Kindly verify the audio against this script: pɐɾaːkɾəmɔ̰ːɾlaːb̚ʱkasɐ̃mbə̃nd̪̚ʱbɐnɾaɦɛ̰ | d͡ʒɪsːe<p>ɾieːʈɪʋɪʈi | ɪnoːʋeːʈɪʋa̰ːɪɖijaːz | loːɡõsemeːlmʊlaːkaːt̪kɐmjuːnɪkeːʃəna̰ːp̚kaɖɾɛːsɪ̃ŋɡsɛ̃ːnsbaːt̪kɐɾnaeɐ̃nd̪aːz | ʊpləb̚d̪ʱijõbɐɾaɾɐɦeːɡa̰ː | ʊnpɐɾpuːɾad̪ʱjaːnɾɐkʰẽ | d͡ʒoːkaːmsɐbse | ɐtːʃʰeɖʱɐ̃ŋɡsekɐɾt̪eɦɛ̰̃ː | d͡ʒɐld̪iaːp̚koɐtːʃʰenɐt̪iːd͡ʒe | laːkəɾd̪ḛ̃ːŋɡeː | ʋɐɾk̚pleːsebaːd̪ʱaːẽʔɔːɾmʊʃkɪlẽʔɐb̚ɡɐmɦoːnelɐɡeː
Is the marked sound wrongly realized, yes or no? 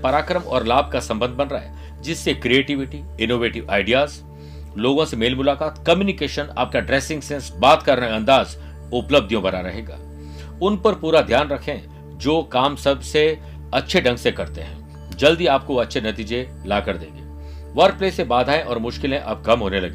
yes